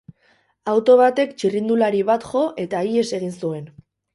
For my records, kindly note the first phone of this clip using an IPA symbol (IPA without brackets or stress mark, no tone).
a